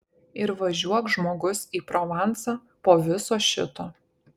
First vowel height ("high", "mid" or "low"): high